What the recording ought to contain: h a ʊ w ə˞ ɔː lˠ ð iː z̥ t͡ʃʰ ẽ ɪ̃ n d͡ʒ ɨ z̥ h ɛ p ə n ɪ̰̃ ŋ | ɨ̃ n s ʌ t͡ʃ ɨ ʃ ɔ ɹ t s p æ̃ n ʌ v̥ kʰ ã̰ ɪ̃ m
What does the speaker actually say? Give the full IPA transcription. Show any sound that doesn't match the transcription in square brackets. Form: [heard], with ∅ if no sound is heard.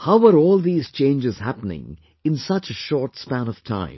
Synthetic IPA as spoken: h a ʊ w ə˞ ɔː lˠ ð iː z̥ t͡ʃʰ ẽ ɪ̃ n d͡ʒ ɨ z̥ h [æ] p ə n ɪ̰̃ ŋ | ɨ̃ n s ʌ t͡ʃ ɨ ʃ ɔ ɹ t s p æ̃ n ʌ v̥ [tʰ] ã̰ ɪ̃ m

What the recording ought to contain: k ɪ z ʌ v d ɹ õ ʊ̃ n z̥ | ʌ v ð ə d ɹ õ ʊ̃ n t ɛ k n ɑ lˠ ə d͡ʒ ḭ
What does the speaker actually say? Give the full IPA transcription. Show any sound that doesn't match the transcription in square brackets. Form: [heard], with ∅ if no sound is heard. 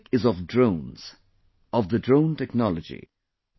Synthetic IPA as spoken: k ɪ z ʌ v d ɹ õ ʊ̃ n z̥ | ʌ v ð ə d ɹ õ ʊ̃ n t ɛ k n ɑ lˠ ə d͡ʒ ḭ

